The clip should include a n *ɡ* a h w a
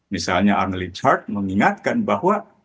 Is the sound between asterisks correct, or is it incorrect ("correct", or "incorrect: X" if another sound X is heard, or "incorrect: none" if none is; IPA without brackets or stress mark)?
incorrect: b